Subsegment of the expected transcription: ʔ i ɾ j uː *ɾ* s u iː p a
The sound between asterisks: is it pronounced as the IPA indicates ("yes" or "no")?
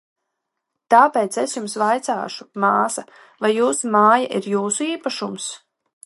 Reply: no